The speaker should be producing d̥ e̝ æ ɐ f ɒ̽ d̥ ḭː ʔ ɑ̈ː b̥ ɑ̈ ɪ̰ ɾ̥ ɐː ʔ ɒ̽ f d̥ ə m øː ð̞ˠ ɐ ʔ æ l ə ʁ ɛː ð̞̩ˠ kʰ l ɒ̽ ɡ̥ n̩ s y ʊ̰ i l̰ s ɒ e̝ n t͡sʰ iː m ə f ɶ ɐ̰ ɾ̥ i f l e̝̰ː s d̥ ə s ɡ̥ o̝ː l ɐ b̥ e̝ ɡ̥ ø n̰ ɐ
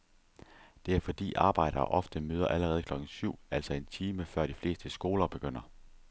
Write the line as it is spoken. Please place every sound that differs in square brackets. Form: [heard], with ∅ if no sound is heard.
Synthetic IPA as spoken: d̥ e̝ æ ɐ f ɒ̽ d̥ ḭː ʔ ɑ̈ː b̥ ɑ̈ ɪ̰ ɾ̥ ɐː ʔ ɒ̽ f d̥ ə m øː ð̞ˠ ɐ ʔ æ l ə ʁ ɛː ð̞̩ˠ kʰ l ɒ̽ ɡ̥ n̩ s y ʊ̰ [æ] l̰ s ɒ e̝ n t͡sʰ iː m ə f ɶ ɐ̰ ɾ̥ i f l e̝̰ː s d̥ ə s ɡ̥ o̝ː l ɐ b̥ e̝ ɡ̥ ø n̰ ɐ